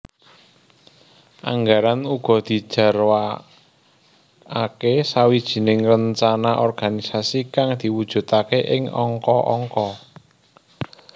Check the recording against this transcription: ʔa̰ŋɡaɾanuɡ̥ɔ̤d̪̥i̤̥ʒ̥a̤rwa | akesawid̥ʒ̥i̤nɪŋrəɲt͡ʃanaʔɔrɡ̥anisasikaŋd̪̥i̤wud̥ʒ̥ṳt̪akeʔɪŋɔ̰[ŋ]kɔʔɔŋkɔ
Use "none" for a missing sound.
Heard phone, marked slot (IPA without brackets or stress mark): ŋ